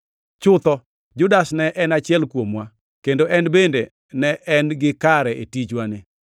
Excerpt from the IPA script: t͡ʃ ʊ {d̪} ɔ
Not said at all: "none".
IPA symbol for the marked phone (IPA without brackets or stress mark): t̪